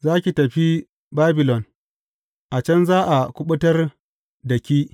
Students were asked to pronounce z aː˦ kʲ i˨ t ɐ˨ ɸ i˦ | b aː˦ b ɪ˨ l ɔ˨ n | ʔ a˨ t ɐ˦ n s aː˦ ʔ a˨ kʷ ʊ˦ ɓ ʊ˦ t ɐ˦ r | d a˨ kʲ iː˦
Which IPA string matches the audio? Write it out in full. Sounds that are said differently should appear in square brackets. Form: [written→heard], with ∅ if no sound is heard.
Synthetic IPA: z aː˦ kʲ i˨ t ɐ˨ ɸ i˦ | b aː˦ b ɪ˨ l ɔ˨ n | ʔ a˨ [t→t͡ʃ] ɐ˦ n [s→z] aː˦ ʔ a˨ kʷ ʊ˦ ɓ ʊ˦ t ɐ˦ r | d [a˨→ɐ˨] kʲ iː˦